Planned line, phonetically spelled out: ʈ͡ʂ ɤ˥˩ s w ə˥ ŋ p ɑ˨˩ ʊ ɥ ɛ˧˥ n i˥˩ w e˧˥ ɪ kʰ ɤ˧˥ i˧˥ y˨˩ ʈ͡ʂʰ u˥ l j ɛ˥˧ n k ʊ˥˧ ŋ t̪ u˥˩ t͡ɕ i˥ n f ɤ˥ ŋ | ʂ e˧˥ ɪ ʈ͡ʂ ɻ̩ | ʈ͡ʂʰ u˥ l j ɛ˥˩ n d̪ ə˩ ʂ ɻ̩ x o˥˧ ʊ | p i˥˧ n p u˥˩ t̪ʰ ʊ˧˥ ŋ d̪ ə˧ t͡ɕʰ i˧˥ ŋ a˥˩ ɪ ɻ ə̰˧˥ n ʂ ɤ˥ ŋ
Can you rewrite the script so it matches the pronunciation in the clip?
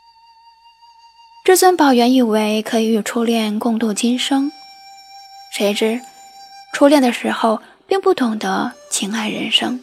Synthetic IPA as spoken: ʈ͡ʂ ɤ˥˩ s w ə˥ n p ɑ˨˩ ʊ ɥ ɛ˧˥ n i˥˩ w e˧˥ ɪ kʰ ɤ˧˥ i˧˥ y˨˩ ʈ͡ʂʰ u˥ l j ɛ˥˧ n k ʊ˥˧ ŋ t̪ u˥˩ t͡ɕ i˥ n ʂ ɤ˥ ŋ | ʂ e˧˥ ɪ ʈ͡ʂ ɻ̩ | ʈ͡ʂʰ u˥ l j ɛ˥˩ n d̪ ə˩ ʂ ɻ̩ x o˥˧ ʊ | p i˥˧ ŋ p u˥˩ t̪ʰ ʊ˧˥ ŋ d̪ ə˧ t͡ɕʰ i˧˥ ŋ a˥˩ ɪ ɻ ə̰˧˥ n ʂ ɤ˥ ŋ